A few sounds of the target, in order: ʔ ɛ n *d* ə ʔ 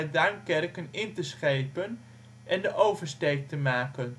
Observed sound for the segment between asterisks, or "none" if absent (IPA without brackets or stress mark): d